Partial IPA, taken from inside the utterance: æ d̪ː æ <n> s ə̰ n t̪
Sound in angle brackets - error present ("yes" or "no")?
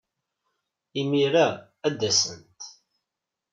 yes